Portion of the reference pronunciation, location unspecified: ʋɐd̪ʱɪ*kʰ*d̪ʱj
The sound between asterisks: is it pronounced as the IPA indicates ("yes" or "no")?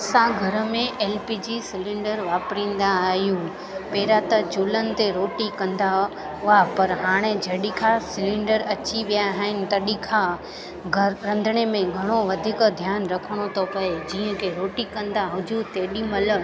no